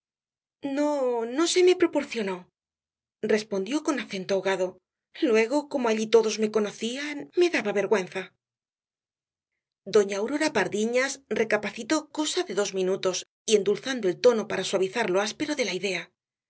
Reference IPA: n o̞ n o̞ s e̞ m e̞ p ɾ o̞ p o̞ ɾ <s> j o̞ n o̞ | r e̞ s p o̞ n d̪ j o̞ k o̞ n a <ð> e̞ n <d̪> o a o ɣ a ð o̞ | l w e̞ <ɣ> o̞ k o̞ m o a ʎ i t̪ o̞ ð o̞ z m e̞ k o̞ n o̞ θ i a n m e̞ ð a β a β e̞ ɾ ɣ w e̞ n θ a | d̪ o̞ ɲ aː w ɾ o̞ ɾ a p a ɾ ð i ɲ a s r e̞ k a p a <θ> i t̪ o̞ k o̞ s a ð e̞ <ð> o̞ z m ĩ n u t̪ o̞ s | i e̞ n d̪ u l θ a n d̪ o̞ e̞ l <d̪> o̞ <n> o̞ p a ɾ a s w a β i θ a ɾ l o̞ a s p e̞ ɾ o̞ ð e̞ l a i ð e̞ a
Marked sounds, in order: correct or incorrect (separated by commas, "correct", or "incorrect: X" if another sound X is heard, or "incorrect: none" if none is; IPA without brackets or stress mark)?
incorrect: θ, incorrect: θ, incorrect: t̪, correct, correct, correct, incorrect: t̪, correct